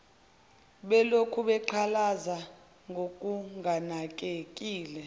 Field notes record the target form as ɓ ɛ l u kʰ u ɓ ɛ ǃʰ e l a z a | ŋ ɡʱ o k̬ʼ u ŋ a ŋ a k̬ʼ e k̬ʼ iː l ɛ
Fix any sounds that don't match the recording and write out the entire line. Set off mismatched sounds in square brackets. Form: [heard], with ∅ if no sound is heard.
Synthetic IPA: ɓ ɛ l [o] kʰ u ɓ ɛ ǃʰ [a] l a z a | ŋ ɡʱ o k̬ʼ u ŋ a [n] a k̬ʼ e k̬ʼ iː l ɛ